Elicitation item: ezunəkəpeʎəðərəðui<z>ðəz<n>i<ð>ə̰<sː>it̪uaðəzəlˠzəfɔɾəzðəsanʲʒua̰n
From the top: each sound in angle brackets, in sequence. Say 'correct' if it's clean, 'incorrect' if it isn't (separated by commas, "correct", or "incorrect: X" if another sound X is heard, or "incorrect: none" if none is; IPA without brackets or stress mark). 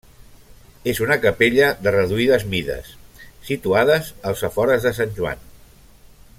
incorrect: none, incorrect: m, correct, correct